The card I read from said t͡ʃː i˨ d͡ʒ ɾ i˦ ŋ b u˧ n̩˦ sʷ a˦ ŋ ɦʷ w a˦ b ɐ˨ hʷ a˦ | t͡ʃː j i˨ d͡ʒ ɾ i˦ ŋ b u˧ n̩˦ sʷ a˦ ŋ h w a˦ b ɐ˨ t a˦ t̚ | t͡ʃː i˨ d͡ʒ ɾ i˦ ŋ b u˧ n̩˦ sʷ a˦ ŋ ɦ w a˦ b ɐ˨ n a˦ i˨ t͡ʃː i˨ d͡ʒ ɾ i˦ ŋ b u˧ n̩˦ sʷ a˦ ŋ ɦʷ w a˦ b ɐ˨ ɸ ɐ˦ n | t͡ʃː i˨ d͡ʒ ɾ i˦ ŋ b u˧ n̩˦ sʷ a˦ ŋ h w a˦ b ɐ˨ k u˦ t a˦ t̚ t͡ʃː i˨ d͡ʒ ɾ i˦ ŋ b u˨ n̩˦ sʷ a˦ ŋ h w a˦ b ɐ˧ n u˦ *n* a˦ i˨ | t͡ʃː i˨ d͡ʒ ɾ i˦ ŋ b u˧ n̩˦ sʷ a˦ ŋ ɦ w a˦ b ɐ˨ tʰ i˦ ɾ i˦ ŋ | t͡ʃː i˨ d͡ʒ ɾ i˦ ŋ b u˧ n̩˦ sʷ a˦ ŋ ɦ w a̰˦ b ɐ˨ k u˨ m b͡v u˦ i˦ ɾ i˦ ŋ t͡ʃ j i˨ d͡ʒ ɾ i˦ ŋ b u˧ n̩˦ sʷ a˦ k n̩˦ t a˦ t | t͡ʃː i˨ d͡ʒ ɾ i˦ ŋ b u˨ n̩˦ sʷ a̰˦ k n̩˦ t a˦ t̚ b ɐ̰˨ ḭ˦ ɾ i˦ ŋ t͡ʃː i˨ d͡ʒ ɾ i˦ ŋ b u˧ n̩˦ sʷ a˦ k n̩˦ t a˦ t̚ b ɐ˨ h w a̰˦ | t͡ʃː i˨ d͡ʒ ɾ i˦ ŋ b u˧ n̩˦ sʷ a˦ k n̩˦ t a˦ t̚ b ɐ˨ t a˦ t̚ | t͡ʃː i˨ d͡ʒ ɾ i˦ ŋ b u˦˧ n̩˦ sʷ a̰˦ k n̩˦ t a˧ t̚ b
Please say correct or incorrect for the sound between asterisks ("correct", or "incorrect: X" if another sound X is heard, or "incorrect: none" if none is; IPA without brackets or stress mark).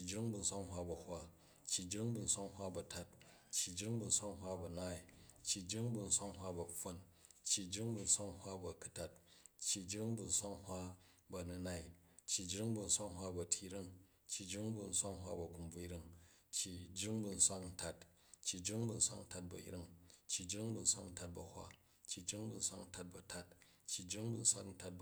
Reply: correct